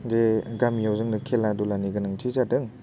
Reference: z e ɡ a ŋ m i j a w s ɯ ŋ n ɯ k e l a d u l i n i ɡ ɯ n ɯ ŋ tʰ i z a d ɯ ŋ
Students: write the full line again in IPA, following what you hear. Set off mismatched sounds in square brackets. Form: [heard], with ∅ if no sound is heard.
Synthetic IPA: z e ɡ a [∅] m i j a w [z] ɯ ŋ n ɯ [kʰ] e l a d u l [a] n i ɡ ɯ n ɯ ŋ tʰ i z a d ɯ ŋ

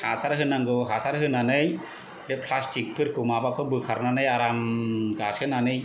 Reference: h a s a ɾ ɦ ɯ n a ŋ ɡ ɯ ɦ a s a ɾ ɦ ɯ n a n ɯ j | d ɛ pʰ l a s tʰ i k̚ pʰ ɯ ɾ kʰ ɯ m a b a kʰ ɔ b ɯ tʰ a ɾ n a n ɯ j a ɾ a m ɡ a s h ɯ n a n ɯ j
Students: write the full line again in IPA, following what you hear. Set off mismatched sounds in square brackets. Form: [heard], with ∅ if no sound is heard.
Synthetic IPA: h a s a ɾ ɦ ɯ n a ŋ ɡ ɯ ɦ a s a ɾ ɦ ɯ n a n ɯ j | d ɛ pʰ l a s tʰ i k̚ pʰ ɯ ɾ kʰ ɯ m a b a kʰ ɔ b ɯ [kʰ] a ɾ n a n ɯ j a ɾ a m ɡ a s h ɯ n a n ɯ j

